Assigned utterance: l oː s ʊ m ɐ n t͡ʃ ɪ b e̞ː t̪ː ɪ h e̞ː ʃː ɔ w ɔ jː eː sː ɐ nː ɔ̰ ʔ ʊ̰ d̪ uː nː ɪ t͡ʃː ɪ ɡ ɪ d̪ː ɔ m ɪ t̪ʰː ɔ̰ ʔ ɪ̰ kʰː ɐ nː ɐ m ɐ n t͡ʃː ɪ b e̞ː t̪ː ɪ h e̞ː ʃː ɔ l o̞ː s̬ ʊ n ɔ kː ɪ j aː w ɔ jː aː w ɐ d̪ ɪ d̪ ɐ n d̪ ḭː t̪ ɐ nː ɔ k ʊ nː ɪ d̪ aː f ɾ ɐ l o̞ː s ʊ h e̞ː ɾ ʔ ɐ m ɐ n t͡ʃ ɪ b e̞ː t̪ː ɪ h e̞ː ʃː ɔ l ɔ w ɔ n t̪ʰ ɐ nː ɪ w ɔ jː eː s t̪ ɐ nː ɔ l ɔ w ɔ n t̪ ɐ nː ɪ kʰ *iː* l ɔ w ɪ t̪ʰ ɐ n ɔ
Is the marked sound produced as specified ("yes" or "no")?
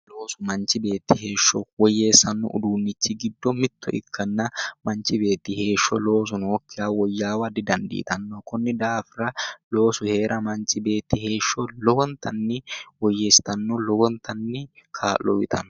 no